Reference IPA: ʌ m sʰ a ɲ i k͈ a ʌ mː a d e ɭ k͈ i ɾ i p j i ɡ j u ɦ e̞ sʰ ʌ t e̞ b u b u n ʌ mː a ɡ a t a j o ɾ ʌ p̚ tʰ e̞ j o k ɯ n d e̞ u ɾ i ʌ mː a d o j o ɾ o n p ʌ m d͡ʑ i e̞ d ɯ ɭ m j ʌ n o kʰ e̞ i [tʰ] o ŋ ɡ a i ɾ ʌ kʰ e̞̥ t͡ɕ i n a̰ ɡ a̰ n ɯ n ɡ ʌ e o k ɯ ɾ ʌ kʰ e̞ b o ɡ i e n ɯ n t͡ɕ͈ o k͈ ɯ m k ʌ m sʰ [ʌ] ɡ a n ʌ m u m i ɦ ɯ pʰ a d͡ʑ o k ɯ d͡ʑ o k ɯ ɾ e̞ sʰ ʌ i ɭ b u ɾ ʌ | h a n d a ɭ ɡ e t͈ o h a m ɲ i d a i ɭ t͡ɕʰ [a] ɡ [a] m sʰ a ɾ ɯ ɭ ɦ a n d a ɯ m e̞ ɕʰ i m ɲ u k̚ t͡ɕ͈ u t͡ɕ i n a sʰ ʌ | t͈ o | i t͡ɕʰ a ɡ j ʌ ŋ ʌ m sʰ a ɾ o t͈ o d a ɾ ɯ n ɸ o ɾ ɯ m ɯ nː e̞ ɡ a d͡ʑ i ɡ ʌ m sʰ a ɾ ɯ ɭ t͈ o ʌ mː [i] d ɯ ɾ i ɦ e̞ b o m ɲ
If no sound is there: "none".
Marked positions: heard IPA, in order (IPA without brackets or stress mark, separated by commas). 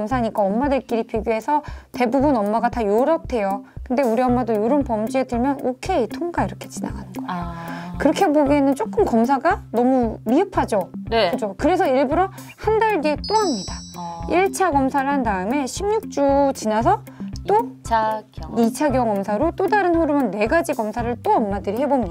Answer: tʰ, a, a, ʌ, a